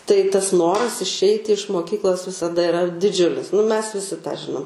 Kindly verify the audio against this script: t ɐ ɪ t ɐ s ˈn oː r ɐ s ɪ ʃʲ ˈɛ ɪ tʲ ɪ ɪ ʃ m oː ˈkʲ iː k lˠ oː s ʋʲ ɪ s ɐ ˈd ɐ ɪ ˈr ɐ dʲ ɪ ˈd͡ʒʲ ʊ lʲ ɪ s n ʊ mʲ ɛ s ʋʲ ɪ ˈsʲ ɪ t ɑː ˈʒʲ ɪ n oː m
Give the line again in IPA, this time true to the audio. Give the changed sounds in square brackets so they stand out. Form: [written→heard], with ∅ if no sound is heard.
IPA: t ɐ ɪ t ɐ s ˈn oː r ɐ s ɪ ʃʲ ˈɛ ɪ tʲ ɪ ɪ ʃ m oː ˈkʲ iː k lˠ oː s ʋʲ ɪ s ɐ ˈd ɐ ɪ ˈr ɐ dʲ ɪ ˈd͡ʒʲ ʊ lʲ ɪ s n ʊ mʲ ɛ s ʋʲ ɪ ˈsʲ ɪ t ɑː ˈʒʲ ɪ n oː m